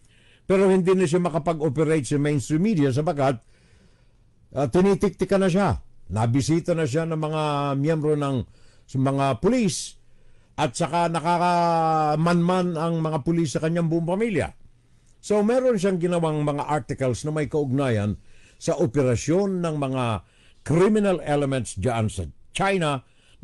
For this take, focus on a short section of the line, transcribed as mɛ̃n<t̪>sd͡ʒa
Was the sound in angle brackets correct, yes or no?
yes